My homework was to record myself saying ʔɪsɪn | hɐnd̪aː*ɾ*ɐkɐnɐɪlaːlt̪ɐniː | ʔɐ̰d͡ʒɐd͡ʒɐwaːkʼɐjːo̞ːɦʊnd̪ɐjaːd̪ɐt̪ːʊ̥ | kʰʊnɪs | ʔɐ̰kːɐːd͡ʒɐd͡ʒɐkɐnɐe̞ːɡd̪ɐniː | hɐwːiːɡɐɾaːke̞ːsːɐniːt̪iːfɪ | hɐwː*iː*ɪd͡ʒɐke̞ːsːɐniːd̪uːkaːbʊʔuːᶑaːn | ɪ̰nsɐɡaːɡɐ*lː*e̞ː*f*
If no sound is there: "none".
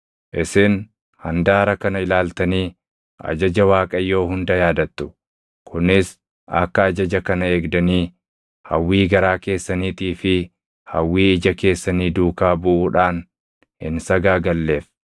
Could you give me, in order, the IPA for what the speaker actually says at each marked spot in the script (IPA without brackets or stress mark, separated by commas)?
ɾ, iː, lː, f